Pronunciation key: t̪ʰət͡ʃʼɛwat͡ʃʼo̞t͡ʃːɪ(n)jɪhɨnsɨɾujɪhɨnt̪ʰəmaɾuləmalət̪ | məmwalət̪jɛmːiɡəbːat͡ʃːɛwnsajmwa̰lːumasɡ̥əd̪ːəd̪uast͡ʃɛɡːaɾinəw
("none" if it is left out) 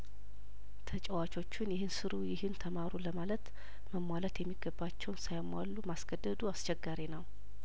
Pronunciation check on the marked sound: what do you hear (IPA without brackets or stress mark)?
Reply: n